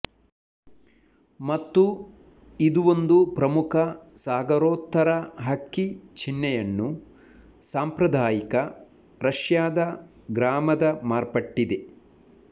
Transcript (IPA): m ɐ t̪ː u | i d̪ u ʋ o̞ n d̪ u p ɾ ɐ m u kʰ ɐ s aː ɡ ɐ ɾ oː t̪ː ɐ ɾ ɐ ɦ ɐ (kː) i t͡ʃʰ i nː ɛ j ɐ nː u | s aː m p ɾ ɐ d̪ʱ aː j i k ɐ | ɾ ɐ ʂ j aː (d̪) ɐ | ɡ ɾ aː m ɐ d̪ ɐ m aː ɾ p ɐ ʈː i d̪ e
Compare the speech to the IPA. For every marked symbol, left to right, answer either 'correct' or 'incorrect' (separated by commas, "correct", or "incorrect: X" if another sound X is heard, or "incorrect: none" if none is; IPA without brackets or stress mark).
correct, correct